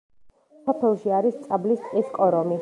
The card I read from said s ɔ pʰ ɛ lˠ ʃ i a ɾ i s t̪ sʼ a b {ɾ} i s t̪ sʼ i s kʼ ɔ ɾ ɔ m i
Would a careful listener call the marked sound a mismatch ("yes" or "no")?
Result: yes